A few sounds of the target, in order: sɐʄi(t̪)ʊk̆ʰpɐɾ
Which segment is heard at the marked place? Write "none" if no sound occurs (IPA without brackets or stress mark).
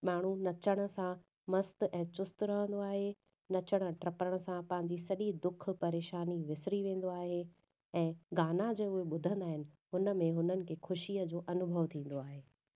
d̪